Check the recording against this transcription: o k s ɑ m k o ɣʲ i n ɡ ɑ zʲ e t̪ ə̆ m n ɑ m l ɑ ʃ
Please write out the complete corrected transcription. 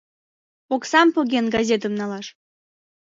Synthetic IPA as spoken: o k s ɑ m p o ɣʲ e n ɡ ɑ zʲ e t̪ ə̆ m n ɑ l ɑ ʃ